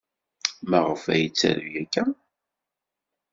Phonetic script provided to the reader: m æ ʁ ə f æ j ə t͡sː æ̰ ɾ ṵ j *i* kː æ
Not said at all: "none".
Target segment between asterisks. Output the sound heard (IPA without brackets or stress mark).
æ